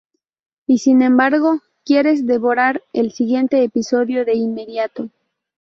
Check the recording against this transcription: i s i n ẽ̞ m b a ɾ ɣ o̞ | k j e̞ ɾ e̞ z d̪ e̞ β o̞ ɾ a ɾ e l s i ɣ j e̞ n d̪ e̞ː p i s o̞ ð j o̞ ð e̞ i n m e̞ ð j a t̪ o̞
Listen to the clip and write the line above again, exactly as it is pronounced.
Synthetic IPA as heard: i s i n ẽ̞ m b a ɾ ɣ o̞ | k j e̞ ɾ e̞ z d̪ e̞ β o̞ ɾ a ɾ e l s i ɣ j e̞ n t̪ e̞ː p i s o̞ ð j o̞ ð e̞ i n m e̞ ð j a t̪ o̞

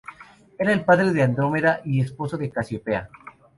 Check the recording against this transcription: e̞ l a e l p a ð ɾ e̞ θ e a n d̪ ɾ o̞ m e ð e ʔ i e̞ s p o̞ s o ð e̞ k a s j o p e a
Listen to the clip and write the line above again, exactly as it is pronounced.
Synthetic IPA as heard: e̞ ɾ a e l p a ð ɾ e̞ ð e a n d̪ ɾ o̞ m e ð a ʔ i e̞ s p o̞ s o ð e̞ k a s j o p e a

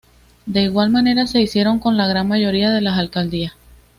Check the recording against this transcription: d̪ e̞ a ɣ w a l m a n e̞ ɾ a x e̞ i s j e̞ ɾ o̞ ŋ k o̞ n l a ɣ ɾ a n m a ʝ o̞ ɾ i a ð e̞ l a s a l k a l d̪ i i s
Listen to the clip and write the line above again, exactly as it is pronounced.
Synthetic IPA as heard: d̪ e̞ i ɣ w a l m a n e̞ ɾ a s e̞ i s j e̞ ɾ o̞ ŋ k o̞ n l a ɣ ɾ a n m a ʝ o̞ ɾ i a ð e̞ l a s a l k a l d̪ i a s

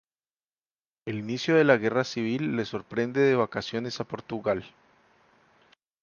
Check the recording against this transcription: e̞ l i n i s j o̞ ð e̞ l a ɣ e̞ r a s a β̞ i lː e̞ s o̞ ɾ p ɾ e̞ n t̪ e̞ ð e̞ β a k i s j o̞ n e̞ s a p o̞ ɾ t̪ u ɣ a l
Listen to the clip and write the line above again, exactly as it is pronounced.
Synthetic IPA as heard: e̞ l i n i s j o̞ ð e̞ l a ɣ e̞ r a s i β̞ i lː e̞ s o̞ ɾ p ɾ e̞ n d̪ e̞ ð e̞ β a k a s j o̞ n e̞ s a p o̞ ɾ t̪ u ɣ a l

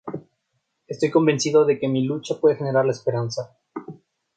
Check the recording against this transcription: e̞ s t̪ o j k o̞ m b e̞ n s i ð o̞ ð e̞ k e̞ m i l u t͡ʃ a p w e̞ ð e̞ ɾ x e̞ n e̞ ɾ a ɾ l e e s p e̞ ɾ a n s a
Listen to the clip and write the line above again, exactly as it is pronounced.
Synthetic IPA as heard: e̞ s t̪ o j k o̞ m b e̞ n s i ð o̞ ð e̞ k e̞ m i l u t͡ʃ a p w e̞ ð e̞ x e̞ n e̞ ɾ a ɾ l a e s p e̞ ɾ a n s a

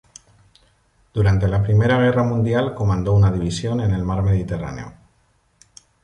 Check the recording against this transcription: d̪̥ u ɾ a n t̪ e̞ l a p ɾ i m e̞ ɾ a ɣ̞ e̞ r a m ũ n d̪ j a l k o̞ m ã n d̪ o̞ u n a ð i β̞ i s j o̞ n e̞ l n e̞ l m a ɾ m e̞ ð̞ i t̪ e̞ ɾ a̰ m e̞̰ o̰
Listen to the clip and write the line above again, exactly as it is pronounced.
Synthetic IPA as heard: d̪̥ u ɾ a n t̪ e̞ l a p ɾ i m e̞ ɾ a ɣ̞ e̞ r a m ũ n d̪ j a l k o̞ m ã n d̪ o̞ u n a ð i β̞ i s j o̞ n e̞ n e̞ l m a ɾ m e̞ ð̞ i t̪ e̞ r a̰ n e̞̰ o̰

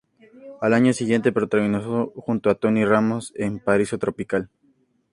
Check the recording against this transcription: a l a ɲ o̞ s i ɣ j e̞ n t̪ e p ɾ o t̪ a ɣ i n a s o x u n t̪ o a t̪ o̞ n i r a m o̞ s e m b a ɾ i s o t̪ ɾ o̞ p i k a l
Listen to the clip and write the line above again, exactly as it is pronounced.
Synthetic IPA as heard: a l a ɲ o̞ s i ɣ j e̞ n t̪ e p ɾ o t̪ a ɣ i n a s o x u n t̪ o a t̪ o̞ n i r a m o̞ s e m p a ɾ i s o t̪ ɾ o̞ p i k a l

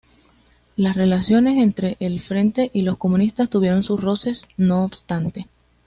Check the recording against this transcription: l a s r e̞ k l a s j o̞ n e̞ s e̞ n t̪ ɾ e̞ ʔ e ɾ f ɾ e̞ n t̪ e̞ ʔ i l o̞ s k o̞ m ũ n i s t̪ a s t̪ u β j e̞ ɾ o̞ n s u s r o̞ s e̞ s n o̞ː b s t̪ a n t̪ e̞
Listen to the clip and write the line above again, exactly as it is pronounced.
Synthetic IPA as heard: l a s r e̞ l a s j o̞ n e̞ s e̞ n t̪ ɾ e̞ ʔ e l f ɾ e̞ n t̪ e̞ ʔ i l o̞ s k o̞ m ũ n i s t̪ a s t̪ u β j e̞ ɾ o̞ n s u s r o̞ s e̞ s n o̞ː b s t̪ a n t̪ e̞

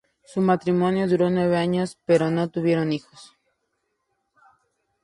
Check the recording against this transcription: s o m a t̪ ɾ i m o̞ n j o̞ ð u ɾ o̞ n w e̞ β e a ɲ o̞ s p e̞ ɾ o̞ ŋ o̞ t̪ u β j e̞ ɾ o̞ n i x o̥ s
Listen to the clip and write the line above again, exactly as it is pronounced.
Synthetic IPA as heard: s u m a t̪ ɾ i m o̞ n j o̞ ð u ɾ o̞ n w e̞ β e a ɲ o̞ s p e̞ ɾ o̞ n o̞ t̪ u β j e̞ ɾ o̞ n i x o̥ s

